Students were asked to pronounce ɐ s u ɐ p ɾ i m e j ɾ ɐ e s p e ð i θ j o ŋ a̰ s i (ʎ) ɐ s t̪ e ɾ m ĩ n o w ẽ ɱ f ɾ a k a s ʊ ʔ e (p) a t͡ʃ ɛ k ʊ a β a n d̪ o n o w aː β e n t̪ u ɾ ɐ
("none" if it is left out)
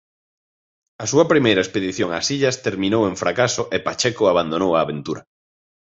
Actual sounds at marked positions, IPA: ʎ, p

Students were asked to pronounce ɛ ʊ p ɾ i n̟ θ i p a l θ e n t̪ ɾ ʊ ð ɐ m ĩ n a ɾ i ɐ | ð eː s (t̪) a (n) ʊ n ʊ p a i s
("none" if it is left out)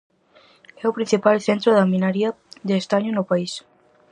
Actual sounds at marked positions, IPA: t̪, ɲ

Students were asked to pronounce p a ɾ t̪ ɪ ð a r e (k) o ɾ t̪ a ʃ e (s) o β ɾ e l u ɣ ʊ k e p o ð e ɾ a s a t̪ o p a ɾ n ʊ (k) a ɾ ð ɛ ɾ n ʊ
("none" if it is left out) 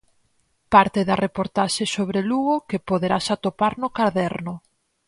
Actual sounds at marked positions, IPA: p, s, k

